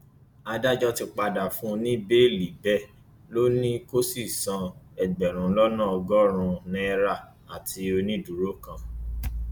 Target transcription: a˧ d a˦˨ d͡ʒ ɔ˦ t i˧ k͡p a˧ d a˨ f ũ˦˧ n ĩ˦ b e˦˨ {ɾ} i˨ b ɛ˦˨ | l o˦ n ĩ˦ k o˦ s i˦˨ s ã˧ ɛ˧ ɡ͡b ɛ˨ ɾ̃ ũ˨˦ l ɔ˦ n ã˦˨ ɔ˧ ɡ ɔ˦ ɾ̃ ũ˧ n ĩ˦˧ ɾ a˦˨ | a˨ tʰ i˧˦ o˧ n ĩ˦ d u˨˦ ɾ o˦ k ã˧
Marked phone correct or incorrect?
incorrect